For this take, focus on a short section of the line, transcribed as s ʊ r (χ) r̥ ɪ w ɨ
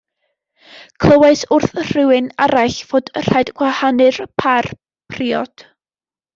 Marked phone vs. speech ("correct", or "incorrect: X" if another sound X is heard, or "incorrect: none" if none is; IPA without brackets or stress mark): incorrect: θ